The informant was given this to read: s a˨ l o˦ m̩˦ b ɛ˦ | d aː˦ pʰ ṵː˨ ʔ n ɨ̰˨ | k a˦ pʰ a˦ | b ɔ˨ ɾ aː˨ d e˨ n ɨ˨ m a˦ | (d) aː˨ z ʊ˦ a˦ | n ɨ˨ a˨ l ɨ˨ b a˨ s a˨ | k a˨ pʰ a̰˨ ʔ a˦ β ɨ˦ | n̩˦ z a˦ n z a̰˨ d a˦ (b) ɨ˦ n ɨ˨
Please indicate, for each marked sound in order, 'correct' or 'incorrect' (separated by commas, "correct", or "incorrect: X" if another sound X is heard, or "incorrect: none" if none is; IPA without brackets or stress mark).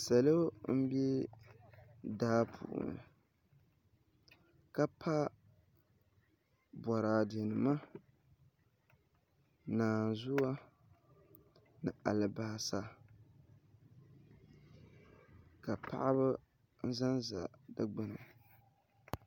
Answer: incorrect: n, incorrect: ɡ͡b